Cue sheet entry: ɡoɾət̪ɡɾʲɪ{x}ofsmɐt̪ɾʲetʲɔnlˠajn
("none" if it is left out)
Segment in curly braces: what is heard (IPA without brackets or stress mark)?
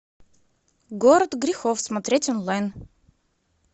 x